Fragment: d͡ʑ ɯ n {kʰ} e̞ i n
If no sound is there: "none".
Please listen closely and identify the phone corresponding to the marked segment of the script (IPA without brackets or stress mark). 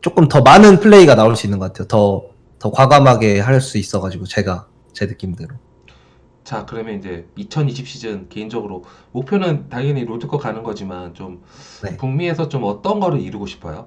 k